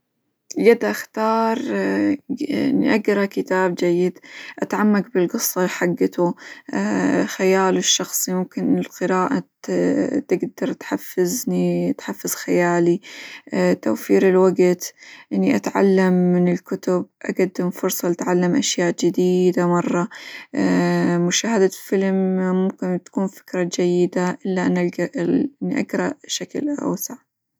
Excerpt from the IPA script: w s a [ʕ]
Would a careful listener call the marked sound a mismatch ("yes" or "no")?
no